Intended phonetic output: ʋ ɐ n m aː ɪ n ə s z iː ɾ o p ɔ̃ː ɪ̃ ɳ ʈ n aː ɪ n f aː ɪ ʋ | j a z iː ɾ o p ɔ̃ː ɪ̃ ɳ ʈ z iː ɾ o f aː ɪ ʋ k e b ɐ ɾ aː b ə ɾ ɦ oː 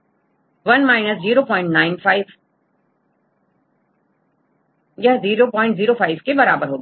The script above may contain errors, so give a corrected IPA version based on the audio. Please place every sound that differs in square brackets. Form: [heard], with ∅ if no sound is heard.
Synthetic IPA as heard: ʋ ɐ n m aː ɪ n ə s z iː ɾ o p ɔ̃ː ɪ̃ ɳ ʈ n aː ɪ n f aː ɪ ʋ | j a z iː ɾ o p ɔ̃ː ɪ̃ ɳ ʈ z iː ɾ o f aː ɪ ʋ k e b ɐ ɾ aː b ə ɾ ɦ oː